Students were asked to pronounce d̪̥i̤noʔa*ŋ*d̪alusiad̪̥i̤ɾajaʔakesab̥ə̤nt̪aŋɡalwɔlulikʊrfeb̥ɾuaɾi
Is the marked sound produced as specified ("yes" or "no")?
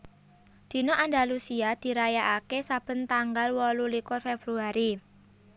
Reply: no